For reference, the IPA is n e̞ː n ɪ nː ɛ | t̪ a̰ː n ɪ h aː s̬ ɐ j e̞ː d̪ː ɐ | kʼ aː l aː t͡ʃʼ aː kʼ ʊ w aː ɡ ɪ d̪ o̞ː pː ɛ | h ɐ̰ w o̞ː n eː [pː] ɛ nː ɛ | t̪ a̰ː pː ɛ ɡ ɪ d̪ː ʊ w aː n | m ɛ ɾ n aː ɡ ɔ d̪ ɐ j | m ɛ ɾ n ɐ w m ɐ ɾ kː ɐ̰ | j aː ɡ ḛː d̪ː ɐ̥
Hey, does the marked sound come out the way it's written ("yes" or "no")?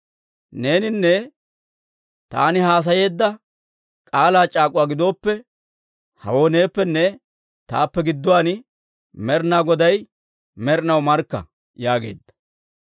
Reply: yes